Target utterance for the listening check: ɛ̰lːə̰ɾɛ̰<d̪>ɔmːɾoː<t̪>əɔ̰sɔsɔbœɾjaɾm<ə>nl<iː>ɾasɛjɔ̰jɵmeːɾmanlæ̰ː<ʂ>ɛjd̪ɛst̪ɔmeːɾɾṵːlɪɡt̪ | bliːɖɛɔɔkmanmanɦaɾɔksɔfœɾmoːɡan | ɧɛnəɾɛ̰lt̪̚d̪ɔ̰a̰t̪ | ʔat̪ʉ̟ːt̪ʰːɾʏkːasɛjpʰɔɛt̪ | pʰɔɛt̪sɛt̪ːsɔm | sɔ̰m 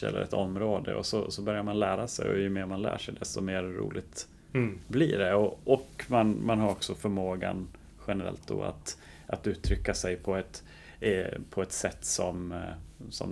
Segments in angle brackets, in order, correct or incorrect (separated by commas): incorrect, incorrect, incorrect, incorrect, correct